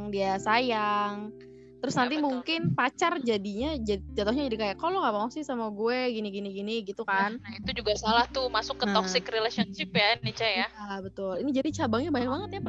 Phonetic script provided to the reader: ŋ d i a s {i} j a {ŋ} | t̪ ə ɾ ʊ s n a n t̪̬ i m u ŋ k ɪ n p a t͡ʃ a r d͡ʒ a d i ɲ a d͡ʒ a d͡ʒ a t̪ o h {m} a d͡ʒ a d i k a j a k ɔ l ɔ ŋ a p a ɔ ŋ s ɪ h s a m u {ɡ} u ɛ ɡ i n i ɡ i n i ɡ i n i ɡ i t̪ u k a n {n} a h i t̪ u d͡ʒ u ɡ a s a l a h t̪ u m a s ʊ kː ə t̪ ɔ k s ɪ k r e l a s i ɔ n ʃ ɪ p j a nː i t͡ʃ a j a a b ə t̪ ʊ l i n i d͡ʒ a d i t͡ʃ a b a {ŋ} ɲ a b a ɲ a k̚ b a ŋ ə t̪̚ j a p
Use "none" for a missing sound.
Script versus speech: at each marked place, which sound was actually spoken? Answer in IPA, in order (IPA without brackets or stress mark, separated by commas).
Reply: a, ŋ, ɲ, ɡ, n, ŋ